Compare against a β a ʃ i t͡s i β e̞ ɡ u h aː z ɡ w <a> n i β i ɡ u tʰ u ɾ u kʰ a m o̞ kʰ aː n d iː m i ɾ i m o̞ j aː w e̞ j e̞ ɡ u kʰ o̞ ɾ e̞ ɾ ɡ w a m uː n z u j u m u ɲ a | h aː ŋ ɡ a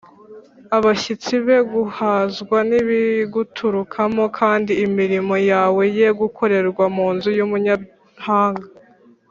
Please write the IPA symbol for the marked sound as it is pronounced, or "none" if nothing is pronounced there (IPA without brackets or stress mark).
a